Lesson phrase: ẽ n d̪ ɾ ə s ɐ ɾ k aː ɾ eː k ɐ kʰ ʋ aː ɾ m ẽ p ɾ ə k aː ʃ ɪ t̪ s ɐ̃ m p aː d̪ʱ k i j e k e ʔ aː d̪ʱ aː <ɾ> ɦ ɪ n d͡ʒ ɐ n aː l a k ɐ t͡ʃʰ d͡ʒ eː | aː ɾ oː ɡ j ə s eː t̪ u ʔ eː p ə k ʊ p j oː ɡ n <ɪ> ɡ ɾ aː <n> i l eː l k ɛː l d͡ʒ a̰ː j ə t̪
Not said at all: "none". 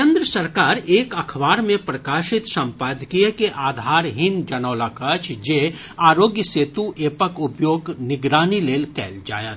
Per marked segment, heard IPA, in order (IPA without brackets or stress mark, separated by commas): ɾ, ɪ, n